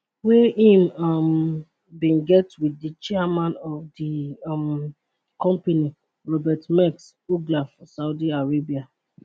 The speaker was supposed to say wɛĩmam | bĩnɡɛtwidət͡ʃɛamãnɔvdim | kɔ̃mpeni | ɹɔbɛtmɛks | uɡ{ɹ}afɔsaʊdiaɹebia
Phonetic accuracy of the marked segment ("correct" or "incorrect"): incorrect